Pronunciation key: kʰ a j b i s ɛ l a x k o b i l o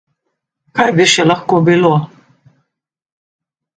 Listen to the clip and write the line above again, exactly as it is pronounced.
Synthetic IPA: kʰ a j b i ʃ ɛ l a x k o b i l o